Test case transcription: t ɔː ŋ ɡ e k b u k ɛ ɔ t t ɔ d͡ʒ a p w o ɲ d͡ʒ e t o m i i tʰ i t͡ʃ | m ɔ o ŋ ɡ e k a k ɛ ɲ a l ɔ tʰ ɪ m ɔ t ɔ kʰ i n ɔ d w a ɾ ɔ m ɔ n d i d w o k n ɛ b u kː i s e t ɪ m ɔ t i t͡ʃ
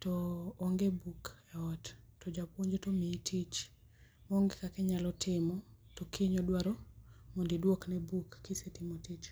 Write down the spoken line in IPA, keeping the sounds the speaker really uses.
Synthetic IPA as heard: t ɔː ŋ ɡ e b u k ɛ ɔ t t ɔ d͡ʒ a p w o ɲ d͡ʒ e t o m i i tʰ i t͡ʃ | m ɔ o ŋ ɡ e k a k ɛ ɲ a l ɔ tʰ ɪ m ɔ t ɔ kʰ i ɲ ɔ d w a ɾ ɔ m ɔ n d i d w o k n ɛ b u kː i s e t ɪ m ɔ t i t͡ʃ